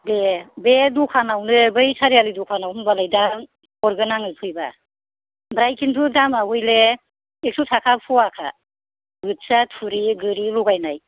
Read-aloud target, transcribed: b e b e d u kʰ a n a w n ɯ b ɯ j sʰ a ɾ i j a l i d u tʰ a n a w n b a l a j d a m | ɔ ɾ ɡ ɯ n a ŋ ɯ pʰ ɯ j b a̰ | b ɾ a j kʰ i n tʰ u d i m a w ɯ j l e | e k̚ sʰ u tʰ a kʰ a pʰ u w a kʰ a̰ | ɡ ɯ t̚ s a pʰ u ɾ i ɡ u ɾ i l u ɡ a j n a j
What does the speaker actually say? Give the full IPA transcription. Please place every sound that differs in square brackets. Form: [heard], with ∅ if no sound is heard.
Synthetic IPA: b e b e d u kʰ a n a w n ɯ b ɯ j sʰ a ɾ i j a l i d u [kʰ] a n a w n b a l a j d a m | ɔ ɾ ɡ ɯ n a ŋ ɯ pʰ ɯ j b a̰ | b ɾ a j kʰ i n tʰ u d [a] m a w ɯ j l e | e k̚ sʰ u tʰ a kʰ a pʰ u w a kʰ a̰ | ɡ ɯ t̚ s a [tʰ] u ɾ i ɡ [ɯ] ɾ i l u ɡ a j n a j